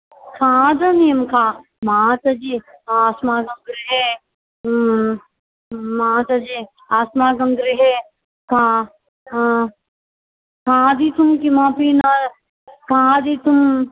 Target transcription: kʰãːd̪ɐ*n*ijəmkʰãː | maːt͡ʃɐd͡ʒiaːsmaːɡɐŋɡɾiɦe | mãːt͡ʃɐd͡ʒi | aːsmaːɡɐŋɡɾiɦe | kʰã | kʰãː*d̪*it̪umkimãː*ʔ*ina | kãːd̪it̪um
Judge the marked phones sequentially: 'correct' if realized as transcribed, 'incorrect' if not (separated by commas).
correct, correct, incorrect